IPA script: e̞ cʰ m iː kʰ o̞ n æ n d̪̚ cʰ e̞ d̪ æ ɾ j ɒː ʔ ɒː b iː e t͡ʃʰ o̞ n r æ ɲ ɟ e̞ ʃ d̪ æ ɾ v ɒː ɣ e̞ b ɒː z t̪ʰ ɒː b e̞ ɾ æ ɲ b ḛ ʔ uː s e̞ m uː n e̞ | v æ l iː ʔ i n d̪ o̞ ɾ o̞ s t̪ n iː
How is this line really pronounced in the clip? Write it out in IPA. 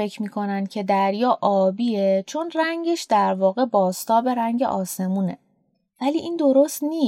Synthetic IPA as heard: e̞ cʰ m iː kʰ o̞ n æ n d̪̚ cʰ e̞ d̪ æ ɾ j ɒː ʔ ɒː b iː e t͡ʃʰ o̞ n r æ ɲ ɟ e̞ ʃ d̪ æ ɾ v ɒː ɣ e̞ b ɒː s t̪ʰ ɒː b e̞ ɾ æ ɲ ɟ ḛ ʔ ɒː s e̞ m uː n e̞ | v æ l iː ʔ i n d̪ o̞ ɾ o̞ s t̪ n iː